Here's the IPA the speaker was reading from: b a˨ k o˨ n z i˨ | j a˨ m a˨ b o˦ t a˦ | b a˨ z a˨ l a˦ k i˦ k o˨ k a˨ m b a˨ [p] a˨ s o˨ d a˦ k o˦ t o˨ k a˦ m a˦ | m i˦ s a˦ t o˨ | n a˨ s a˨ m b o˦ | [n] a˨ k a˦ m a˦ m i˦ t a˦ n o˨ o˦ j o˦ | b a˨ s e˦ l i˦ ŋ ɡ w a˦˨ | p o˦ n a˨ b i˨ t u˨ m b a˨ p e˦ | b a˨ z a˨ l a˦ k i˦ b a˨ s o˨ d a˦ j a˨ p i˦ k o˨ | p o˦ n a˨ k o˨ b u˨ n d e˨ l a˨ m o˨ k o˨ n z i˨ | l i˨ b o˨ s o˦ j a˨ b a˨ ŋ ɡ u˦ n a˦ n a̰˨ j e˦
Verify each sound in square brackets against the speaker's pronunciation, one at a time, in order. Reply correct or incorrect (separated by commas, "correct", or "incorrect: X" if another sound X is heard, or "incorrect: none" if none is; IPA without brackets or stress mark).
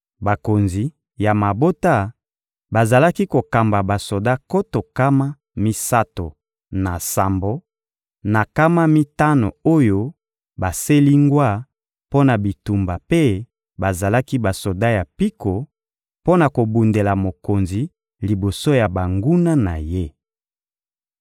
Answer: incorrect: b, correct